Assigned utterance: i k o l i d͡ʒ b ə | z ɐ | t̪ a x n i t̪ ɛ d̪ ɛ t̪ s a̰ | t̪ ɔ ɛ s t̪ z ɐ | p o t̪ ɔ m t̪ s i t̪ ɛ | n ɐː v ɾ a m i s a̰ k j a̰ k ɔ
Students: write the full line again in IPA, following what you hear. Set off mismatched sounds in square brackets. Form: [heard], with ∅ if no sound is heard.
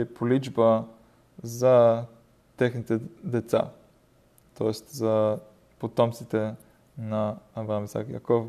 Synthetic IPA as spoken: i [p] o l i d͡ʒ b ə | z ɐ | t̪ [ɛ] x n i t̪ ɛ d̪ ɛ t̪ s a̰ | t̪ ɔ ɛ s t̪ z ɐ | p o t̪ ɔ m t̪ s i t̪ ɛ | n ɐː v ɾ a m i s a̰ k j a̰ k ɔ